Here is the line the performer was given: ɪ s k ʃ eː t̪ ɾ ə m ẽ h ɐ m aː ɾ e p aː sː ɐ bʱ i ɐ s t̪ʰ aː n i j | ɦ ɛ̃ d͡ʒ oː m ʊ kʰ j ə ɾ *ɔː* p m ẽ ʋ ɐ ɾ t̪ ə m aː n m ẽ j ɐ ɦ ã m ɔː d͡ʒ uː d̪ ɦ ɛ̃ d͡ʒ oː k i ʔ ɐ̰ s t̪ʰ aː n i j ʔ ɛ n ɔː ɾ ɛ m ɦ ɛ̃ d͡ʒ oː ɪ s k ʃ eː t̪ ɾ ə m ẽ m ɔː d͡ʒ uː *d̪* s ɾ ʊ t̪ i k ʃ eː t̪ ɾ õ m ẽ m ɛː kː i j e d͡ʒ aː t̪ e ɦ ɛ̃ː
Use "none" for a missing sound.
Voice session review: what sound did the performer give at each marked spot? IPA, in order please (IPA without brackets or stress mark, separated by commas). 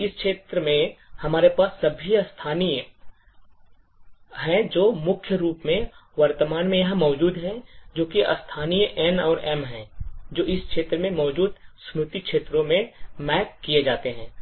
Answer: uː, d̪